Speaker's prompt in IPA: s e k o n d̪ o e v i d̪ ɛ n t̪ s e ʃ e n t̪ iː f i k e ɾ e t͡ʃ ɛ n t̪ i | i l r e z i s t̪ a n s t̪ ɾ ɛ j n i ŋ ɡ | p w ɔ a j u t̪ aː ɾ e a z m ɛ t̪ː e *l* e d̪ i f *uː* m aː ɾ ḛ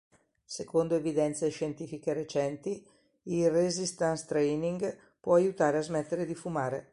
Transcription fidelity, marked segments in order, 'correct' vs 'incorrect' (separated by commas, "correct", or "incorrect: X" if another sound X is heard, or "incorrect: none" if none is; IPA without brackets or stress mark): incorrect: ɾ, incorrect: u